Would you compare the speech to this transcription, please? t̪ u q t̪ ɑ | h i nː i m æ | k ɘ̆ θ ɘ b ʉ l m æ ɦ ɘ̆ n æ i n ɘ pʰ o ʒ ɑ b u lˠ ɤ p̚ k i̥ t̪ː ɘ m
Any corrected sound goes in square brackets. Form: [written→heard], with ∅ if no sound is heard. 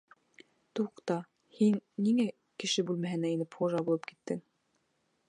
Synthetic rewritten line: t̪ u q t̪ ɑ | h i nː i [m→ŋ] æ | k ɘ̆ [θ→ʃ] ɘ b ʉ l m æ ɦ ɘ̆ n æ i n ɘ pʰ o ʒ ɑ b u lˠ ɤ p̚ k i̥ t̪ː ɘ [m→ŋ]